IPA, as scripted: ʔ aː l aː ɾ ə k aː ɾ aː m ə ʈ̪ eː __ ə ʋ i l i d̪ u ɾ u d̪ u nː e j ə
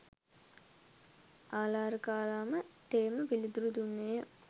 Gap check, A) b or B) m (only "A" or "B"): B